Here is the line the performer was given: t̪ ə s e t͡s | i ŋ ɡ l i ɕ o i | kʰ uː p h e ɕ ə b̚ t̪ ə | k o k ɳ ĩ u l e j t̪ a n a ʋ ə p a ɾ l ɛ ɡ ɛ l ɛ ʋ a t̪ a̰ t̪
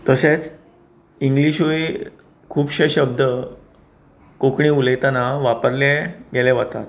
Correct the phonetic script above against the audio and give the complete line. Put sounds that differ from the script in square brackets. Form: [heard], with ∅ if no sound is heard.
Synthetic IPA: t̪ ə s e t͡s | i ŋ ɡ l i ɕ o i | kʰ uː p [ɕ] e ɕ ə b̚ [d̪] ə | k o k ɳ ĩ u l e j t̪ a n a ʋ [a] p [ə] ɾ l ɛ ɡ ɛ l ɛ ʋ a t̪ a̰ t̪

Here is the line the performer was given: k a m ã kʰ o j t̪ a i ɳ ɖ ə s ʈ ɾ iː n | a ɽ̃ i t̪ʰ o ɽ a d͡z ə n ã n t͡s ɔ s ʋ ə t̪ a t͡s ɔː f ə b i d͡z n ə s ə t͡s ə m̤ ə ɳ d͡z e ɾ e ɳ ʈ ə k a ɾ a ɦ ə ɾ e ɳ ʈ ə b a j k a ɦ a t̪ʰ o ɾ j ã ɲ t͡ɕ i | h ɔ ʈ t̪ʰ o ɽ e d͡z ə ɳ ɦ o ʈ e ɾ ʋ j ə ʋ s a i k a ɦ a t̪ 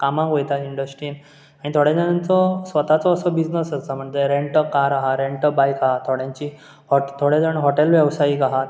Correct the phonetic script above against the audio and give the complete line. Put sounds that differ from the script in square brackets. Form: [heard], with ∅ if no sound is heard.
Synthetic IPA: k a m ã [k] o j t̪ a i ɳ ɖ ə s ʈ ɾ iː n | a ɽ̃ i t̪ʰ o ɽ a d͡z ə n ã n t͡s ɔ s ʋ ə t̪ a t͡s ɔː [s] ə b i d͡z n ə s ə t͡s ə m̤ ə ɳ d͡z e ɾ e ɳ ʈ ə k a ɾ a ɦ [a] ɾ e ɳ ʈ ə b a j k a ɦ a t̪ʰ o [ɽ] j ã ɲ t͡ɕ i | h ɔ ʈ t̪ʰ o ɽ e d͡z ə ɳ ɦ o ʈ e [l] ʋ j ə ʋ s a i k a ɦ a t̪

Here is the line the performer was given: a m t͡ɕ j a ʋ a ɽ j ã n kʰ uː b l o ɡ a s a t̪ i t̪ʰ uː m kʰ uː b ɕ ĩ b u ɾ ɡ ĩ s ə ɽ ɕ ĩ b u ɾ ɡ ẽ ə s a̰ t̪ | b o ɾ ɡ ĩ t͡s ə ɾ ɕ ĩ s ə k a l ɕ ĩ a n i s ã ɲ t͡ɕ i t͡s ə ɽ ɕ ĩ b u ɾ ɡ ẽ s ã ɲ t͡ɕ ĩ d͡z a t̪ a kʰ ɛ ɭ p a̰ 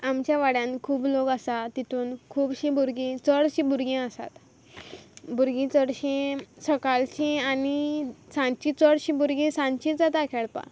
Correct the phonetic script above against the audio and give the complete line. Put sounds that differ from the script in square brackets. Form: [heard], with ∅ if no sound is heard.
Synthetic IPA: a m t͡ɕ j a ʋ a ɽ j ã n kʰ uː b l o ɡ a s a t̪ i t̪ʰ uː [n] kʰ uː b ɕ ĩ b u ɾ ɡ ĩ [t͡s] ə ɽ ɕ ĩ b u ɾ ɡ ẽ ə s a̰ t̪ | b [u] ɾ ɡ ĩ t͡s ə [ɽ] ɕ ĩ s ə k a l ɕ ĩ a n i s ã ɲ t͡ɕ i t͡s ə ɽ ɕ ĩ b u ɾ ɡ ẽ s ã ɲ t͡ɕ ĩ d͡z a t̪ a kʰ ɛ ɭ p a̰

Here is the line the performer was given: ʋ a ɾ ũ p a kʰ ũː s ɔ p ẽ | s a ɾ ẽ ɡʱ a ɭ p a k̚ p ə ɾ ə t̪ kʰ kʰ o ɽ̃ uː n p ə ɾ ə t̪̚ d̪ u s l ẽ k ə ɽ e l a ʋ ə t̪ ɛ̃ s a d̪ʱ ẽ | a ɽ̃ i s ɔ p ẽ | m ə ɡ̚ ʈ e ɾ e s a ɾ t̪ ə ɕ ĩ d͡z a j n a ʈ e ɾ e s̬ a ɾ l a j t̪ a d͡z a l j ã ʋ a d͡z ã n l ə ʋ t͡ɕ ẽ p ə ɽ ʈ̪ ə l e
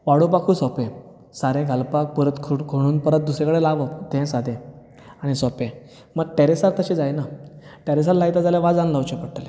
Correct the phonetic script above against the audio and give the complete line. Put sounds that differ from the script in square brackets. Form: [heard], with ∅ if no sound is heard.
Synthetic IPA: ʋ a [ɽ] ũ p a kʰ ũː s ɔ p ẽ | s a ɾ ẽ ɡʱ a [l] p a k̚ p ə ɾ ə t̪ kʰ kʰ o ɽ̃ uː n p ə ɾ ə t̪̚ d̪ u s [ɾ] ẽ k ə ɽ e l a ʋ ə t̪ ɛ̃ s a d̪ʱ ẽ | a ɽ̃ i s ɔ p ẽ | m ə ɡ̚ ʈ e ɾ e s a ɾ t̪ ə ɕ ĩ d͡z a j n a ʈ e ɾ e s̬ a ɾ l a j t̪ a d͡z a l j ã ʋ a d͡z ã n l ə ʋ t͡ɕ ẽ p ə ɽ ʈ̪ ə l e

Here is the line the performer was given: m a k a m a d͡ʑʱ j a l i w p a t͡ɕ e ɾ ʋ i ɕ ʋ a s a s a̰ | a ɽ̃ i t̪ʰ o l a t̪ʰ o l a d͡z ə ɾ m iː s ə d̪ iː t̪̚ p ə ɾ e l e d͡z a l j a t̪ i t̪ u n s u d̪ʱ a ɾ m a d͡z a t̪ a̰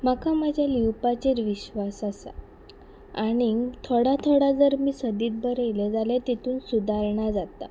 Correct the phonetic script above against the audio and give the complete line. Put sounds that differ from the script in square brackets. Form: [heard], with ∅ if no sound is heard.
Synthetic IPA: m a k a m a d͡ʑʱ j a l i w p a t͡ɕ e ɾ ʋ i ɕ ʋ a s a s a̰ | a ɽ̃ i t̪ʰ o [ɽ] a t̪ʰ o [ɽ] a d͡z ə ɾ m iː s ə d̪ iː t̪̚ [b] ə ɾ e l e d͡z a l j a t̪ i t̪ [uː] n s u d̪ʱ a ɾ [ɳ] a d͡z a t̪ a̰

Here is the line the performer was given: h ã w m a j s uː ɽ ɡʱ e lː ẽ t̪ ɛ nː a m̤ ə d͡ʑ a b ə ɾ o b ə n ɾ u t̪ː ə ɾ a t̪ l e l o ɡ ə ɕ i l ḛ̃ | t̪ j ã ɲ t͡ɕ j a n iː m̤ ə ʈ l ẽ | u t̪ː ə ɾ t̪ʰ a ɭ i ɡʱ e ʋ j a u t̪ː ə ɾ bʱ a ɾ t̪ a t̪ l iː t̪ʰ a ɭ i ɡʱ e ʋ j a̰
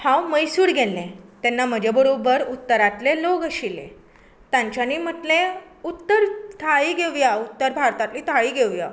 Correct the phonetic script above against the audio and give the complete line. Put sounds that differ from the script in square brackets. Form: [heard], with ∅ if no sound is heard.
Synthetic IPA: h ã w m [ə] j s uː ɽ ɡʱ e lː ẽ t̪ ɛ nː a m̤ ə d͡ʑ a b ə ɾ o b ə [∅] ɾ u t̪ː ə ɾ a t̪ l e l o ɡ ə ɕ i l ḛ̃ | t̪ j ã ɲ t͡ɕ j a n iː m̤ ə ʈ l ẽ | u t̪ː ə ɾ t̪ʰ a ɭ i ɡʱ e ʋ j a u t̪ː ə ɾ bʱ a ɾ t̪ a t̪ l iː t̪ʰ a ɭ i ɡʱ e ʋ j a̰

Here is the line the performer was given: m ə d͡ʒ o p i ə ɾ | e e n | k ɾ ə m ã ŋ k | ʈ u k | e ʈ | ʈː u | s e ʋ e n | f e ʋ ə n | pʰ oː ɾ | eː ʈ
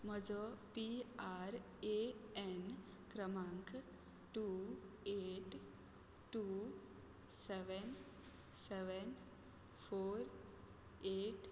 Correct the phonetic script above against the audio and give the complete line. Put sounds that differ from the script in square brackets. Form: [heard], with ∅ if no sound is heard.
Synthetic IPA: m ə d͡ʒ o p i [a] ɾ | e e n | k ɾ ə m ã ŋ k | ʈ u [∅] | e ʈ | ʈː u | s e ʋ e n | [s] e ʋ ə n | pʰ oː ɾ | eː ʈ

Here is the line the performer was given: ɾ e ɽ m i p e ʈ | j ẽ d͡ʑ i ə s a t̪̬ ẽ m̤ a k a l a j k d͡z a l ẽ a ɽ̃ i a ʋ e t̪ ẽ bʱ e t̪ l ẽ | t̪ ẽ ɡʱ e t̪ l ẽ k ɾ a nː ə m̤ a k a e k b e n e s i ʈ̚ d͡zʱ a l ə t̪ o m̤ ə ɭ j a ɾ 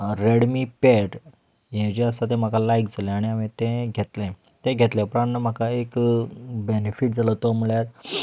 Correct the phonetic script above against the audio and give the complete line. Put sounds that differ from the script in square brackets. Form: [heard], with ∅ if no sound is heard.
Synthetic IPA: ɾ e ɽ m i p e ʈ | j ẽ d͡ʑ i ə s a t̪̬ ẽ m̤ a k a l a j k d͡z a l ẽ a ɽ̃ i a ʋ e t̪ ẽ [ɡʱ] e t̪ l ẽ | t̪ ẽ ɡʱ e t̪ l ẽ [p] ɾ a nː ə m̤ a k a e k b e n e [f] i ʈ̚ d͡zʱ a l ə t̪ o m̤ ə ɭ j a ɾ

